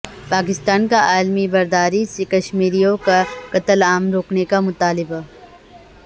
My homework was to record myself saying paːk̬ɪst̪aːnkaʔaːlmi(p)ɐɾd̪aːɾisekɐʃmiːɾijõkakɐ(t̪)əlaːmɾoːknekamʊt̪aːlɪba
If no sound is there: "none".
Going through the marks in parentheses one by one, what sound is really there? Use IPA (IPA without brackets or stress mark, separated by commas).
b, t̪